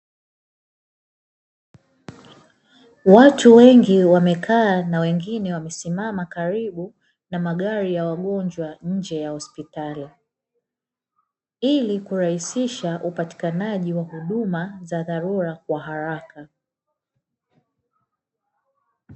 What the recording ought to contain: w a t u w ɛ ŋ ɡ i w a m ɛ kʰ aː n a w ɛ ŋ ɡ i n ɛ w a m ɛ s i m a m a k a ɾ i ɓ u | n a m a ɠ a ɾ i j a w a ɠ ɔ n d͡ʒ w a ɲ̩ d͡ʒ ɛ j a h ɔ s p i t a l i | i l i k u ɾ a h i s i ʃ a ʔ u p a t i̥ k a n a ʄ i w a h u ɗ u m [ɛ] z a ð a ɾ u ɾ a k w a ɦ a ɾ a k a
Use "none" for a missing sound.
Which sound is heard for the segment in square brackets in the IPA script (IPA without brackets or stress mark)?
a